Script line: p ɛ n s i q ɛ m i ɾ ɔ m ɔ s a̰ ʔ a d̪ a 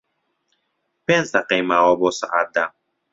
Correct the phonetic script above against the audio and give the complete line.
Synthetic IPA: p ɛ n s a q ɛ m a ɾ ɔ b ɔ s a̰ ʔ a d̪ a